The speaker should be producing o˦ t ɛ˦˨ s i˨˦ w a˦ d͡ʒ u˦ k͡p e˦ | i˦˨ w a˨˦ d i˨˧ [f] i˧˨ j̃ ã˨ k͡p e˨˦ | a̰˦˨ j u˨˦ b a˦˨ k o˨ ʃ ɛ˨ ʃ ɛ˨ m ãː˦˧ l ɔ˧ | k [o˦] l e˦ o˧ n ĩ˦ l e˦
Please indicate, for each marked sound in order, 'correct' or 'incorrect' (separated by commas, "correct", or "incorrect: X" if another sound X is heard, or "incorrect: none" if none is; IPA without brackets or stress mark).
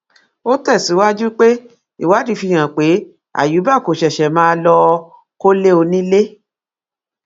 correct, correct